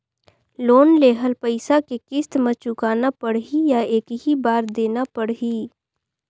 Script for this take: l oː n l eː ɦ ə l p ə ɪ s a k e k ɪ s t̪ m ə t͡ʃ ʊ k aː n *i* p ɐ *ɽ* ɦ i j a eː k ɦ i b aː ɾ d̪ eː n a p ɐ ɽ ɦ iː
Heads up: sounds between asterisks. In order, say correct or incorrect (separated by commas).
incorrect, correct